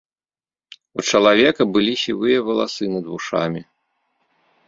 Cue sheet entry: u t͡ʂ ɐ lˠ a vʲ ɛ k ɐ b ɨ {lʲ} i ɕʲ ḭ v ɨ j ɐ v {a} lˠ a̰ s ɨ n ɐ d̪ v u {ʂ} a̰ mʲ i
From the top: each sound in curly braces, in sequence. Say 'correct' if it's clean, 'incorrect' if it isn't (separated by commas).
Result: correct, incorrect, correct